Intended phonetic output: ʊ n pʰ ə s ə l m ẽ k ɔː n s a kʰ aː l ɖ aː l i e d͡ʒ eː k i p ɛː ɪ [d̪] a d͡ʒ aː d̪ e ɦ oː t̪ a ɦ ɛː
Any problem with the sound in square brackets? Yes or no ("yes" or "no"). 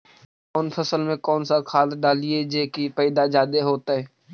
no